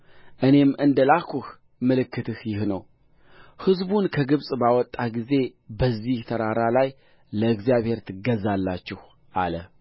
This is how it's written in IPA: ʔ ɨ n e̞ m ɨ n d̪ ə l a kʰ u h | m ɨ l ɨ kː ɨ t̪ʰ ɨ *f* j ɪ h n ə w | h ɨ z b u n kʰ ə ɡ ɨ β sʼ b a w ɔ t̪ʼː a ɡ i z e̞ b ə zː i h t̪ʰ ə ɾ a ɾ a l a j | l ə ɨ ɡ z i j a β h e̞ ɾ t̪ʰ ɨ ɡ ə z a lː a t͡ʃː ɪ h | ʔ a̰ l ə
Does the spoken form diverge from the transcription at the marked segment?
yes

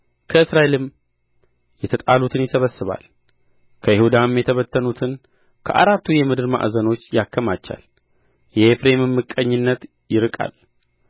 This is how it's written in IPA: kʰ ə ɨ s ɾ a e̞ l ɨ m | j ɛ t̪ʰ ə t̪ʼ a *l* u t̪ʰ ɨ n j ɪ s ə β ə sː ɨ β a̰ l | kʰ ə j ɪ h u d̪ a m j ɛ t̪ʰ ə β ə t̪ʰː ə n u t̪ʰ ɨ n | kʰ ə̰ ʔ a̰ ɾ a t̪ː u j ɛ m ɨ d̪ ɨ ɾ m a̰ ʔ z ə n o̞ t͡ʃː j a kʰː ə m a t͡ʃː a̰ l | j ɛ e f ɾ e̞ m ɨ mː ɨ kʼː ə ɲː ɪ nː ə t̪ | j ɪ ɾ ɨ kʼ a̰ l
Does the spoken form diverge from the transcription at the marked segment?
no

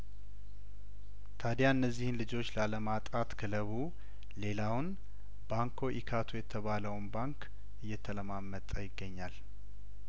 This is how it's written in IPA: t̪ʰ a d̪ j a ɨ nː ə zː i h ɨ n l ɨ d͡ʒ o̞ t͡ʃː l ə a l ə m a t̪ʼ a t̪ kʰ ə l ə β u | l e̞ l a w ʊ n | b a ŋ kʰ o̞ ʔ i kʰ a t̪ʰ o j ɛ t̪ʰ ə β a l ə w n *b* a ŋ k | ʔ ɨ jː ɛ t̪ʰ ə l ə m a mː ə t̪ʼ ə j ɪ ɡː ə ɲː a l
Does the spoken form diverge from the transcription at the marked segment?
no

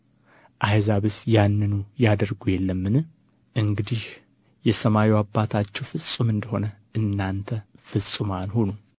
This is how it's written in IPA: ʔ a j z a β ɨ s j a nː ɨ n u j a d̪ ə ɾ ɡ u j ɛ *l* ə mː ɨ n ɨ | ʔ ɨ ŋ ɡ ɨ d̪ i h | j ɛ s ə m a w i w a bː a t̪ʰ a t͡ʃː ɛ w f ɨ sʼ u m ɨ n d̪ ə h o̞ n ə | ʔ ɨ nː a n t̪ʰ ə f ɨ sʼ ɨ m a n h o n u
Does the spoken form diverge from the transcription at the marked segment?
yes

